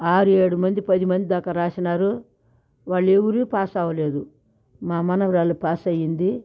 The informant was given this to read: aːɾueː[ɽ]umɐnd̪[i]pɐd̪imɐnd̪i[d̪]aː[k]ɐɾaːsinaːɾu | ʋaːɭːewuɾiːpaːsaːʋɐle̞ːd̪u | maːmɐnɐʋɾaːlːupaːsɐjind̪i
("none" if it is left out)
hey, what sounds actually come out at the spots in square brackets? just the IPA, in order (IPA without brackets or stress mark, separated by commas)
ɽ, i, d̪, k